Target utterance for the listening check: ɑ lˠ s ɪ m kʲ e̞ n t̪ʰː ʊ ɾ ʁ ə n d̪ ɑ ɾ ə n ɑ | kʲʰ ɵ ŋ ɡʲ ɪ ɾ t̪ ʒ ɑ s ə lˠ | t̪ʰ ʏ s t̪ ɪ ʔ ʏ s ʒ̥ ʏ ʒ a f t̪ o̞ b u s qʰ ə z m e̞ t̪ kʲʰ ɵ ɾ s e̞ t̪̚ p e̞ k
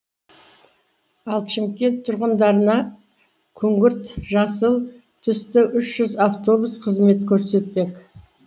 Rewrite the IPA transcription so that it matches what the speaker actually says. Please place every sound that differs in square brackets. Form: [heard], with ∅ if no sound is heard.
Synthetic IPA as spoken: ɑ lˠ [ʃ] ɪ m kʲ e̞ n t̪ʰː ʊ ɾ ʁ ə n d̪ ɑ ɾ ə n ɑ | kʲʰ ɵ ŋ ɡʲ ɪ ɾ t̪ ʒ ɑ s ə lˠ | t̪ʰ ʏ s t̪ ɪ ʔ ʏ [ʃ] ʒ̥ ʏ [z] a f t̪ o̞ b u s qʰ ə z m e̞ t̪ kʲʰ ɵ ɾ s e̞ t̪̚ p e̞ k